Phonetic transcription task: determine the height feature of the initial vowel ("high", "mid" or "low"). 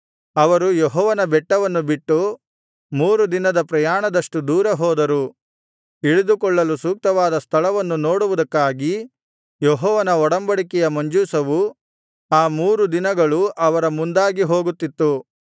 low